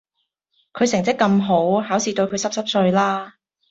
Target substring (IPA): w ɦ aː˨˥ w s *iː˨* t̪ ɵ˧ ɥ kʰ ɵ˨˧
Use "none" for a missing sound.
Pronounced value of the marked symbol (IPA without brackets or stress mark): iː˨